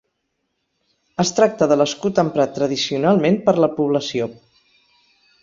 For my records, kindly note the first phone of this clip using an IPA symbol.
ə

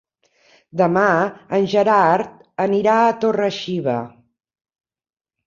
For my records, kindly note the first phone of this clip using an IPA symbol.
d̪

